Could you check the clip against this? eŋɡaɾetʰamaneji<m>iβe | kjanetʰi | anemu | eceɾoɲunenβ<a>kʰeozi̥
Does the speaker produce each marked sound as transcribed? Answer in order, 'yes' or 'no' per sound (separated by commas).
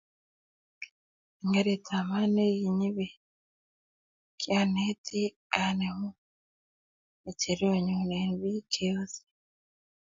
no, no